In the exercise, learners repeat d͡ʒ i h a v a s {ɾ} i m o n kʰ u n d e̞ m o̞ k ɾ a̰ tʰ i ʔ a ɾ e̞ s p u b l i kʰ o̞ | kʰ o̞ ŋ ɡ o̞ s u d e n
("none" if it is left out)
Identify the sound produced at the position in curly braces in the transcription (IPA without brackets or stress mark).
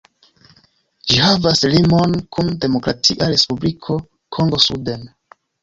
l